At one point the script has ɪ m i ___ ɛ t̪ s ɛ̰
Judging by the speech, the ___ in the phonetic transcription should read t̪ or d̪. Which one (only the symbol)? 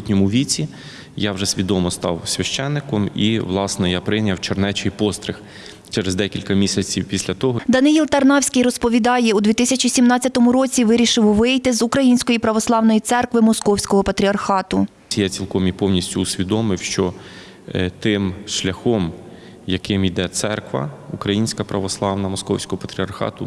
d̪